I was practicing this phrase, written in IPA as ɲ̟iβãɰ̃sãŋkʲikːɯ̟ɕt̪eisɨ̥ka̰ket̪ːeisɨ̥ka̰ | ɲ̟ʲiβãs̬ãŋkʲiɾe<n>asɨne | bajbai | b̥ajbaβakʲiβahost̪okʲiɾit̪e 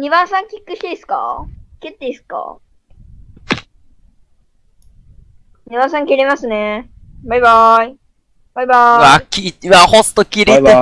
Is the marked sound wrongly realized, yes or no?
yes